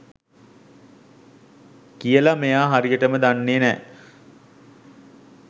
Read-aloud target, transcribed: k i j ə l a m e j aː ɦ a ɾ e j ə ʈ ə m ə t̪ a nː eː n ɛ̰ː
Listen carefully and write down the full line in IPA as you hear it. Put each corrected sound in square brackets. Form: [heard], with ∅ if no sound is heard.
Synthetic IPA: k i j ə l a m e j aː ɦ a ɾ [i] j ə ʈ ə m ə [d̪] a nː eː n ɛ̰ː